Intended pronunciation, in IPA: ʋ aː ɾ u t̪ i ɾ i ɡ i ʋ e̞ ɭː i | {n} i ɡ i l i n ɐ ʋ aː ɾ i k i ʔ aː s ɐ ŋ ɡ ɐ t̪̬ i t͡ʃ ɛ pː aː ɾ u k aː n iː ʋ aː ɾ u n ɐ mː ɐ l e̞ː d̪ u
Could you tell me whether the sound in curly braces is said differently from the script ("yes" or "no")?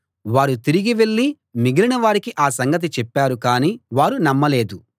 yes